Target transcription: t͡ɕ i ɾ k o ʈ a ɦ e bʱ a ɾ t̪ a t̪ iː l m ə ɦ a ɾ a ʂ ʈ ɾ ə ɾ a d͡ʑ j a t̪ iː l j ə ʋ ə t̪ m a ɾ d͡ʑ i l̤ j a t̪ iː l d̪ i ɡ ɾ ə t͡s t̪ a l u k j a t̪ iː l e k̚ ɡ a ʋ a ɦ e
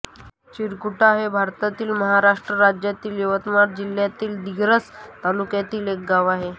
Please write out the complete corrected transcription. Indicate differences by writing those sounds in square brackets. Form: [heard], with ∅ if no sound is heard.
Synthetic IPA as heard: t͡ɕ i ɾ k [u] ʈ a ɦ e bʱ a ɾ t̪ a t̪ iː l m ə ɦ a ɾ a ʂ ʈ ɾ ə ɾ a d͡ʑ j a t̪ iː l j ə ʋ ə t̪ m a ɾ d͡ʑ i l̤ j a t̪ iː l d̪ i ɡ ɾ ə t͡s t̪ a l u k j a t̪ iː l e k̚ ɡ a ʋ a ɦ e

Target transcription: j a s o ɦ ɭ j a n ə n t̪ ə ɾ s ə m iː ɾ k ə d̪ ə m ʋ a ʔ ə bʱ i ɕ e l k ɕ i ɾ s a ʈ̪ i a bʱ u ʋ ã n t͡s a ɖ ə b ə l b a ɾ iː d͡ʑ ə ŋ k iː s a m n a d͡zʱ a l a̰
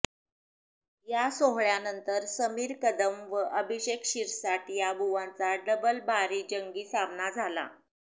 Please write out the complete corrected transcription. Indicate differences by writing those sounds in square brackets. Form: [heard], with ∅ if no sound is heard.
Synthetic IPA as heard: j a s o ɦ ɭ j a n ə n t̪ ə ɾ s ə m iː ɾ k ə d̪ ə m ʋ [ə] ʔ ə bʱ i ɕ e [∅] k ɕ i ɾ s a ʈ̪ [j] a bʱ u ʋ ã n t͡s a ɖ ə b ə l b a ɾ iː d͡ʑ ə ŋ [ɡ] iː s a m n a d͡zʱ a l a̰

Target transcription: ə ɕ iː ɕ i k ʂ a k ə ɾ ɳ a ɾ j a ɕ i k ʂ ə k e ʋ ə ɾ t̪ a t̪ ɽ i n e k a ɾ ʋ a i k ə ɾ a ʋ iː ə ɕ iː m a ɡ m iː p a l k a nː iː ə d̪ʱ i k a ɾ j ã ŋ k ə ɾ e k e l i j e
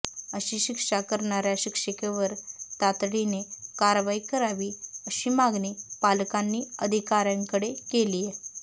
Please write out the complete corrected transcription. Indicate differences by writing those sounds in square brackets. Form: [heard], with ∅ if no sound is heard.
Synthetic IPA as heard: ə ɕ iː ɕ i k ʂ a k ə ɾ ɳ a ɾ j a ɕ i k ʂ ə k e ʋ ə ɾ t̪ a t̪ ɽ i n e k a ɾ ʋ a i k ə ɾ a ʋ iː ə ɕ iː m a ɡ [n] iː p a l k a nː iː ə d̪ʱ i k a ɾ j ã ŋ k ə [ɽ] e k e l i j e

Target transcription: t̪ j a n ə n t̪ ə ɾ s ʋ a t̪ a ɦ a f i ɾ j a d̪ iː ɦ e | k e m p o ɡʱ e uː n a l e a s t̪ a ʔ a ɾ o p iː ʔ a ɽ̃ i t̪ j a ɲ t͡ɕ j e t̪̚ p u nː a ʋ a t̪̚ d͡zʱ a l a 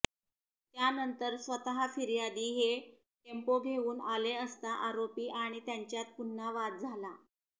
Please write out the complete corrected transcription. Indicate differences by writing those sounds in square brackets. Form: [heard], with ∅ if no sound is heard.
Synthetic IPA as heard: t̪ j a n ə n t̪ ə ɾ s ʋ [ə] t̪ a ɦ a f i ɾ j a d̪ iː ɦ e | k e m p o ɡʱ e uː n a l e [ə] s t̪ a ʔ a ɾ o p iː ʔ a ɽ̃ i t̪ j a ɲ t͡ɕ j [a] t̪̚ p u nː a ʋ a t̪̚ d͡zʱ a l a

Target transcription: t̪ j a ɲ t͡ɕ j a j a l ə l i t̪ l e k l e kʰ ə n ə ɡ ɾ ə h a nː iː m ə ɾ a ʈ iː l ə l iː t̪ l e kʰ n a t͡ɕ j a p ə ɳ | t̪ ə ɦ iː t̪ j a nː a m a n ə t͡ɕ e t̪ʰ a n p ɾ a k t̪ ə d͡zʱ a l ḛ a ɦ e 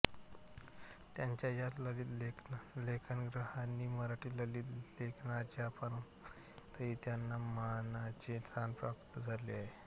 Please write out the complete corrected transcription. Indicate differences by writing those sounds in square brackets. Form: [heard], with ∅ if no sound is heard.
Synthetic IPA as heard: t̪ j a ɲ t͡ɕ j a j a l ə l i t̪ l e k l e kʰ ə n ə ɡ ɾ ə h a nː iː m ə ɾ a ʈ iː l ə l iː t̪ l e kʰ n a t͡ɕ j a p ə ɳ | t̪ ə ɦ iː t̪ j a nː a m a n [a] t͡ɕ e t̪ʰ a n p ɾ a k t̪ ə d͡zʱ a l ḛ a ɦ e

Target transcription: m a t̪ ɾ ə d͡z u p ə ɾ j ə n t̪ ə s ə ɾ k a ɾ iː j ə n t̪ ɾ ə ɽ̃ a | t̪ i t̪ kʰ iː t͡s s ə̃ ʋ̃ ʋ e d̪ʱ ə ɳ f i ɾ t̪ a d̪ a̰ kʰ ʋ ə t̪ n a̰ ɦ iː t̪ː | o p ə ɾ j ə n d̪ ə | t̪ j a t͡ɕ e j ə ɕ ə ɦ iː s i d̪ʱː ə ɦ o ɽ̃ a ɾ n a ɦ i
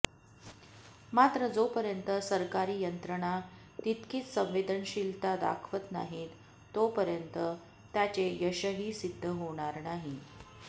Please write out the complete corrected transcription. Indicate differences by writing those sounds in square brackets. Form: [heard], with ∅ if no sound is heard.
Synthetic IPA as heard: m a t̪ ɾ ə d͡z [o] p ə ɾ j ə n t̪ ə s ə ɾ k a ɾ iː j ə n t̪ ɾ ə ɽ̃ a | t̪ i t̪ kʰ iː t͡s s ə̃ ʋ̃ ʋ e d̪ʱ ə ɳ [ɕ] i [l] t̪ a d̪ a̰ kʰ ʋ ə t̪ n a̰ ɦ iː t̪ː | o p ə ɾ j ə n [t̪] ə | t̪ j a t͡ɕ e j ə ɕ ə ɦ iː s i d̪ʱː ə ɦ o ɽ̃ a ɾ n a ɦ i

